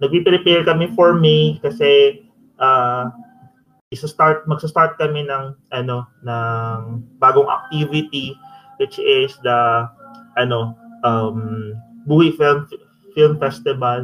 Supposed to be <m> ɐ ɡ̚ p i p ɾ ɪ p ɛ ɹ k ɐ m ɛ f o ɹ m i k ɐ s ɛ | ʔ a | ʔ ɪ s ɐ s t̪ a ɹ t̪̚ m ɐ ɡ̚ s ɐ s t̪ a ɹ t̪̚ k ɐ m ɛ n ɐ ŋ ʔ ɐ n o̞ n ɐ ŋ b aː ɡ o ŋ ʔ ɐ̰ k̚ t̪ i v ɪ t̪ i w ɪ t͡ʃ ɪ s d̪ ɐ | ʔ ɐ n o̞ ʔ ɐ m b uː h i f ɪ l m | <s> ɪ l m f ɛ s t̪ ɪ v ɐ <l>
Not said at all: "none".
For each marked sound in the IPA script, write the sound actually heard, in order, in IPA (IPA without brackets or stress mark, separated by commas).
n, f, l